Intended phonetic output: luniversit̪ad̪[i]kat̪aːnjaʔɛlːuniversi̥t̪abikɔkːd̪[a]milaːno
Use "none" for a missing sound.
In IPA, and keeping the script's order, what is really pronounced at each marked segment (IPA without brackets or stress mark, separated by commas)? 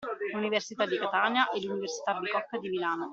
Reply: i, i